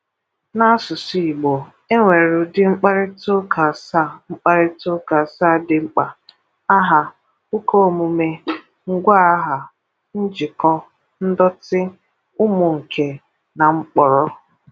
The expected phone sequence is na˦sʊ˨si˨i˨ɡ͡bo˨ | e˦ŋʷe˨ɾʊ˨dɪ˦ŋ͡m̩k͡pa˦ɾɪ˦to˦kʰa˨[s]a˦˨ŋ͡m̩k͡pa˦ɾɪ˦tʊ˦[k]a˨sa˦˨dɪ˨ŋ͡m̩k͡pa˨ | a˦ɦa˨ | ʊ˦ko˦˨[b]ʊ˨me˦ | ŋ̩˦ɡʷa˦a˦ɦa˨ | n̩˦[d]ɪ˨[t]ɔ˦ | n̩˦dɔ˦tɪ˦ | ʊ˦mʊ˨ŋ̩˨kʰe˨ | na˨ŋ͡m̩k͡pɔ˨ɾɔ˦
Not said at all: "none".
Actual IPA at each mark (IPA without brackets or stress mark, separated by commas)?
s, k, m, d͡ʒ, k